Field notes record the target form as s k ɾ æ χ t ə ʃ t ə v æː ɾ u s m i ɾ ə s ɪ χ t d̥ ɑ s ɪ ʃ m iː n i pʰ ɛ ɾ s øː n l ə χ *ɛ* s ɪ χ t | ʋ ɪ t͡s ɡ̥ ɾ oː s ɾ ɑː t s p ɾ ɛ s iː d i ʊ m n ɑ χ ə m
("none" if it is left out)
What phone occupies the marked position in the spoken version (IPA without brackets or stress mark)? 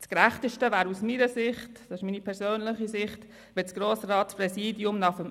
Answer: i